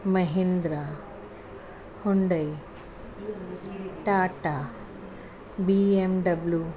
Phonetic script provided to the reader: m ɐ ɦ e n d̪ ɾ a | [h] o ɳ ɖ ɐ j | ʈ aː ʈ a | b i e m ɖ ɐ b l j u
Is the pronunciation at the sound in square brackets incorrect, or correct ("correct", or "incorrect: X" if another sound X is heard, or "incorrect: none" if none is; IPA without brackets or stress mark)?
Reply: correct